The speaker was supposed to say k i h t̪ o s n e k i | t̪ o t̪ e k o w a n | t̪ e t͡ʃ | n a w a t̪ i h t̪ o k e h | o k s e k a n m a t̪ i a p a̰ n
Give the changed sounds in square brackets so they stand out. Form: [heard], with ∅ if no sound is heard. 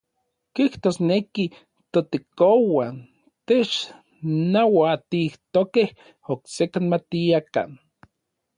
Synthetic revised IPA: k i h t̪ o s n e k i | t̪ o t̪ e k o w a n | t̪ e t͡ʃ | n a w a t̪ i h t̪ o k e h | o k s e k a n m a t̪ i a [k] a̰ n